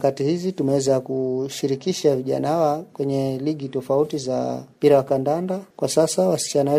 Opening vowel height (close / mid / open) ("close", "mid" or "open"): open